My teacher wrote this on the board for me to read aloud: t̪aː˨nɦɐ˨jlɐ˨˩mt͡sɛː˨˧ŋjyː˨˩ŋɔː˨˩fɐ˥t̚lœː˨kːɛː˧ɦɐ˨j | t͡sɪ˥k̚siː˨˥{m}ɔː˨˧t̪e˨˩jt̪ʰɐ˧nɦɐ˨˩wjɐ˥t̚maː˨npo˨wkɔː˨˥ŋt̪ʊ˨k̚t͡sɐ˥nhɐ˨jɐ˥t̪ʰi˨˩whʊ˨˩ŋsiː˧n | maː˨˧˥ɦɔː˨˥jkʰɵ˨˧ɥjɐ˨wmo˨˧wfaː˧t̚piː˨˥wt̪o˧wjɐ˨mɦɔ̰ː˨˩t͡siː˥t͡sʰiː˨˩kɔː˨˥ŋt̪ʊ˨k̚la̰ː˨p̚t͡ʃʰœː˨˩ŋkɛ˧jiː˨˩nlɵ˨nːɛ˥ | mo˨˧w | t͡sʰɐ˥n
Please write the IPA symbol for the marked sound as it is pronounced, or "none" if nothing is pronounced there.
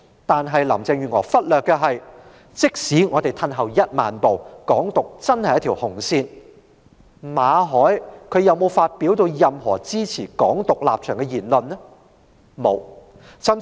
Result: ŋ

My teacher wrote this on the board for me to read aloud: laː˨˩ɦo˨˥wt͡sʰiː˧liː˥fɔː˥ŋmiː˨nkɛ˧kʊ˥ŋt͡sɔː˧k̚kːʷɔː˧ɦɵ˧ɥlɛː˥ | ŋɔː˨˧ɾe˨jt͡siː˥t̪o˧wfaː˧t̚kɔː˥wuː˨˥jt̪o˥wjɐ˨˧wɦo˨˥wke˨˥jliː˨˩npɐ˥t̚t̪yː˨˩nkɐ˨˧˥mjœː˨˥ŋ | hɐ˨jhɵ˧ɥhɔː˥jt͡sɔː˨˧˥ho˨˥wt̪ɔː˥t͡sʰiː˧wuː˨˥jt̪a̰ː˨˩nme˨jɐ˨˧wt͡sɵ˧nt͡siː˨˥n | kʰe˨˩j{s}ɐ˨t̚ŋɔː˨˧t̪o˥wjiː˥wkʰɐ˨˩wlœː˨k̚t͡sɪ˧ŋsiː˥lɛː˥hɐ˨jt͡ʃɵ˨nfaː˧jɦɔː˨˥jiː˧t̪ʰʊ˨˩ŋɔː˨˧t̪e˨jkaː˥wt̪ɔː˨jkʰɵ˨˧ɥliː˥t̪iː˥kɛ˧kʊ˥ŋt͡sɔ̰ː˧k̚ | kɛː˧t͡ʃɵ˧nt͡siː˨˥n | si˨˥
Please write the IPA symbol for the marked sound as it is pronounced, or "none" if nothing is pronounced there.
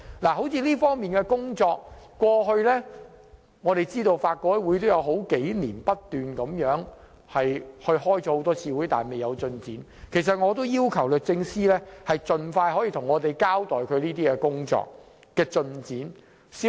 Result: s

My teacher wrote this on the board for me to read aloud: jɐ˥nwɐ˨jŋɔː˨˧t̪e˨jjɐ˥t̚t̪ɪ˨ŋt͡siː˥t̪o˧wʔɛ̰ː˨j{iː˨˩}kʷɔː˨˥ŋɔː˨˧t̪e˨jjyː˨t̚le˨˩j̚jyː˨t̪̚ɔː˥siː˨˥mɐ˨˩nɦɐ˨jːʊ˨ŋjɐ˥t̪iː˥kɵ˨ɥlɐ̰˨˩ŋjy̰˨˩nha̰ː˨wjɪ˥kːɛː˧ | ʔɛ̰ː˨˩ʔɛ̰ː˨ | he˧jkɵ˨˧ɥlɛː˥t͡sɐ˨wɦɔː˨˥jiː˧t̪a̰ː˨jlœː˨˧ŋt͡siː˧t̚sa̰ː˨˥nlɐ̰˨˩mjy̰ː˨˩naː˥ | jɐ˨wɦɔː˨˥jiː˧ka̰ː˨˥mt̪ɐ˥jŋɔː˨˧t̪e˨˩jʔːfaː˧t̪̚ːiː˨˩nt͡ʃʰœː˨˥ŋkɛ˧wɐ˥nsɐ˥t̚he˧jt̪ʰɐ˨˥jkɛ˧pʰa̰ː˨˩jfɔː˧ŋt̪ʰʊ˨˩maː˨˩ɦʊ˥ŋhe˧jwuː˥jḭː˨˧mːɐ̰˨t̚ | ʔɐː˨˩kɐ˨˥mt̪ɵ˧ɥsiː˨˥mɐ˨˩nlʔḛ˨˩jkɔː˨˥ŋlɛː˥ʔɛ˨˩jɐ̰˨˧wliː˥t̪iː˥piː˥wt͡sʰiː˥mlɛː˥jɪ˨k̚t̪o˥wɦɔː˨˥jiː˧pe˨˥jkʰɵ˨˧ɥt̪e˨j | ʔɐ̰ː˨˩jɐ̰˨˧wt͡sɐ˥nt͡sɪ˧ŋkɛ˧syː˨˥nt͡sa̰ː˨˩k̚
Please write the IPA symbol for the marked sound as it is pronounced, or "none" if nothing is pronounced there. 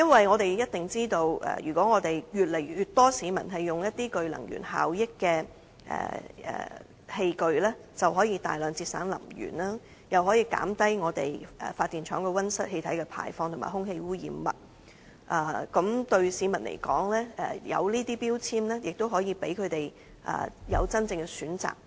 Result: yː˨˩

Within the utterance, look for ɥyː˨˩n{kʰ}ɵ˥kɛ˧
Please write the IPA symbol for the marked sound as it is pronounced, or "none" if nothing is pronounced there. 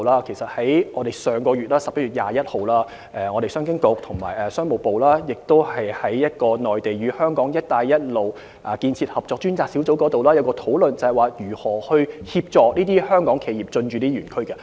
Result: kʰ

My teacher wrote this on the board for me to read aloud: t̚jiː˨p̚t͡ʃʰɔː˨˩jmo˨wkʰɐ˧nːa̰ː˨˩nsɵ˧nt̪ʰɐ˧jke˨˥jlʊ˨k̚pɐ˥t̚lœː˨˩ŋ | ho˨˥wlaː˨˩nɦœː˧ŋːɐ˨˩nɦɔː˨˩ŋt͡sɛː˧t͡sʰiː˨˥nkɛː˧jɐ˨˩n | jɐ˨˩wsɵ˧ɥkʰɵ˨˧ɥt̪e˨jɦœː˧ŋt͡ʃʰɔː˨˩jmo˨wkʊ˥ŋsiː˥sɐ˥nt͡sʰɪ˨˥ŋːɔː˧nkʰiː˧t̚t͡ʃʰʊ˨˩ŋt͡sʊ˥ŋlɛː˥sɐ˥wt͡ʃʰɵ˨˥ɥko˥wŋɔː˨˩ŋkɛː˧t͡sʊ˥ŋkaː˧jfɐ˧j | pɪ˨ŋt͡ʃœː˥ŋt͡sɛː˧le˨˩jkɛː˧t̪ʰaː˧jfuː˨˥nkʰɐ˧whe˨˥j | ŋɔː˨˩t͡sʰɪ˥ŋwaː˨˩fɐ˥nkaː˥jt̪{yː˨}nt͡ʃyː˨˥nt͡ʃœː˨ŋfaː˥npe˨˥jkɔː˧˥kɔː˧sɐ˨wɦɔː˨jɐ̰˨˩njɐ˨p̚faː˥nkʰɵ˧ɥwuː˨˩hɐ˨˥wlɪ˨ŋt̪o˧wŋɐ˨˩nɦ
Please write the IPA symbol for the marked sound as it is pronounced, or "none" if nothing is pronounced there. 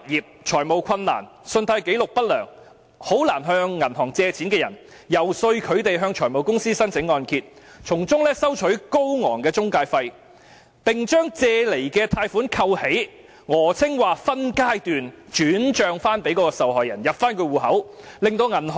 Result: yː˨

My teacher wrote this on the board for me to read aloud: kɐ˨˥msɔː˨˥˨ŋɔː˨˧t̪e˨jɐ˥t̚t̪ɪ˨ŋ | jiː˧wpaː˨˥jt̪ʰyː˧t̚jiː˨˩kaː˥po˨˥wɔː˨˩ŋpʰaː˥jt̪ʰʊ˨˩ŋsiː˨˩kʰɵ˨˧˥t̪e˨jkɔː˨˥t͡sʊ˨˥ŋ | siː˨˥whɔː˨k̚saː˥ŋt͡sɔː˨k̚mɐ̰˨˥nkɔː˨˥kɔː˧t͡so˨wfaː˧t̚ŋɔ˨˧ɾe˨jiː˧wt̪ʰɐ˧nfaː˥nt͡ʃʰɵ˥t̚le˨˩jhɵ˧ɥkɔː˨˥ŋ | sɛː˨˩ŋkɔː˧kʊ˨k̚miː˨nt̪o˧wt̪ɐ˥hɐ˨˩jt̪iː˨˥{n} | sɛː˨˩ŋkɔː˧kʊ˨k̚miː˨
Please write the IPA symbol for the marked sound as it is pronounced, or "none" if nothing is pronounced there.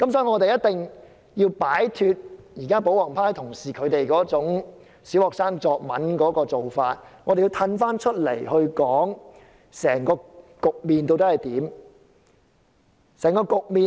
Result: m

